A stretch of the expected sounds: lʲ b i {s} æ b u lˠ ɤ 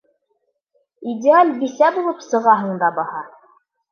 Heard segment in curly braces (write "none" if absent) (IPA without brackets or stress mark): s